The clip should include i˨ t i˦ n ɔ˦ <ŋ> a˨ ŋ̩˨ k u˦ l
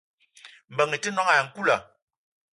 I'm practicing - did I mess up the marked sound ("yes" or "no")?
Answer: no